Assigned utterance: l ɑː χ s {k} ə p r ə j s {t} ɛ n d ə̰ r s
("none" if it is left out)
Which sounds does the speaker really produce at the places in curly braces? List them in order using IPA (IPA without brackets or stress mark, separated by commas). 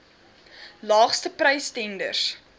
t, t